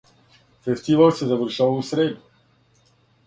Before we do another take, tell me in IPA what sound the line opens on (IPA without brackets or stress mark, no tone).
f